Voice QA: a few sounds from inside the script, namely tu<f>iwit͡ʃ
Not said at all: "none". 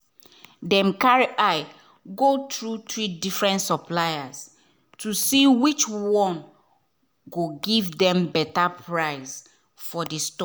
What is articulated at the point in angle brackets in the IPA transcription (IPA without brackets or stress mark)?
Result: s